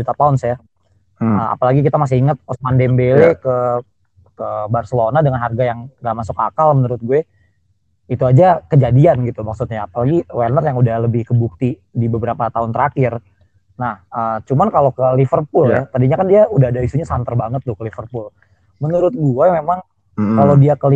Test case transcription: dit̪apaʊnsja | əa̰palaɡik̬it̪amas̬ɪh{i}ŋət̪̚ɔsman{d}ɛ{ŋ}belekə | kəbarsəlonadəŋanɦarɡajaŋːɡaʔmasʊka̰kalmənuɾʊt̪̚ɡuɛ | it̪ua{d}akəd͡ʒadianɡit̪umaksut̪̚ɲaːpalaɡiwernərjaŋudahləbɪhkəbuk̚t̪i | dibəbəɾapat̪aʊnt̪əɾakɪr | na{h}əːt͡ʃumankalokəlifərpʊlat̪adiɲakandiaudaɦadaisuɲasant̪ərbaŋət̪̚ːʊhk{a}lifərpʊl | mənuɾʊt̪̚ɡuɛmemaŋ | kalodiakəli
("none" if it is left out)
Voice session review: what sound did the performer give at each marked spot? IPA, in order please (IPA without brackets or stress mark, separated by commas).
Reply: i, d, m, d͡ʒ, h, ə